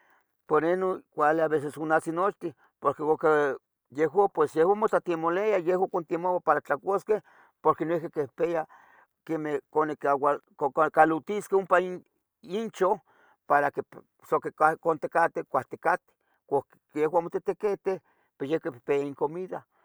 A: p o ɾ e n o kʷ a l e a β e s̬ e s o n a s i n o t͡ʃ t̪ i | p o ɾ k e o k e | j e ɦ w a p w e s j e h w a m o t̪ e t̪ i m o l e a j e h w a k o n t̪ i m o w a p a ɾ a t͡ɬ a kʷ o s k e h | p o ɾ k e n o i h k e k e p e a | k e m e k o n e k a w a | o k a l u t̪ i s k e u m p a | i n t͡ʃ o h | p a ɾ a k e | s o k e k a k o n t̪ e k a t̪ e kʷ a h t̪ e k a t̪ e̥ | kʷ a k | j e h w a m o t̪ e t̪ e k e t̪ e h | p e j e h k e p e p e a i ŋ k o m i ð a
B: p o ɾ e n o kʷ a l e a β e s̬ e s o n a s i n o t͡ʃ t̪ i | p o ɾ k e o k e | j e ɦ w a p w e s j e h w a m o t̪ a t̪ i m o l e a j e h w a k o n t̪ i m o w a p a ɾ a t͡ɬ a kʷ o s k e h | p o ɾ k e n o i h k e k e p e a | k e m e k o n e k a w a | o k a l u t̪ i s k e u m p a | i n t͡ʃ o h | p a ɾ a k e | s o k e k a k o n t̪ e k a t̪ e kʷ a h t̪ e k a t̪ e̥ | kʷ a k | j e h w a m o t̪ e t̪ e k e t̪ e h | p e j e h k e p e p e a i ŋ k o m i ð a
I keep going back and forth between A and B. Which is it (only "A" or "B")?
B